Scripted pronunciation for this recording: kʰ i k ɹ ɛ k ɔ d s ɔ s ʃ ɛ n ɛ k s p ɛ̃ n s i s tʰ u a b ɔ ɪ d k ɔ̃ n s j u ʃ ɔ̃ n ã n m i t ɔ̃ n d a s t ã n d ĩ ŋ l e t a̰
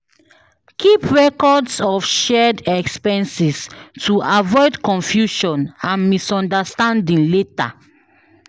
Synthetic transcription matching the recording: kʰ i p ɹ ɛ k ɔ d s ɔ f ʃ ɛ d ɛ k s p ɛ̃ n s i s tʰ u a v ɔ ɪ d k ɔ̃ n f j u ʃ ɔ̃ n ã n m i s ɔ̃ n d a s t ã n d ĩ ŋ l e t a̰